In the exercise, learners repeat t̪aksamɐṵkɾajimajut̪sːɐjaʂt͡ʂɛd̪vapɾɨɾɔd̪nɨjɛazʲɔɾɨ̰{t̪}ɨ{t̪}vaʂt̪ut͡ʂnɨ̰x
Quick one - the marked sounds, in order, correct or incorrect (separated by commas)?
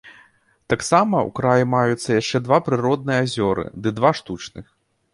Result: incorrect, incorrect